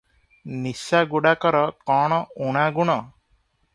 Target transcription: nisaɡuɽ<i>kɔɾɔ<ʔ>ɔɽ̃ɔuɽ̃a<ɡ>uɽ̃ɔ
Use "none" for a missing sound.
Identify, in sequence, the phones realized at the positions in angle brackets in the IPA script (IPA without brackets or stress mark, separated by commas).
a, k, ɡ